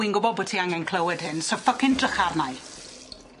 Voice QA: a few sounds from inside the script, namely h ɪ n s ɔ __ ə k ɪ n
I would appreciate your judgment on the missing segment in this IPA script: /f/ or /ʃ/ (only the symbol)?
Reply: f